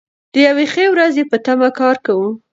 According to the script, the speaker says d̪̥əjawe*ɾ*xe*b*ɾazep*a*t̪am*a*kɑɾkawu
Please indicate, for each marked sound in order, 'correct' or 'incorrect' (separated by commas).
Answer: incorrect, incorrect, incorrect, correct